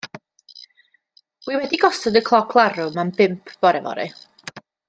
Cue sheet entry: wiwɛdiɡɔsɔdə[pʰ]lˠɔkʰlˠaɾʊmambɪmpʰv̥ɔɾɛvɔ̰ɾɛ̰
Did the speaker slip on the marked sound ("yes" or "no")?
yes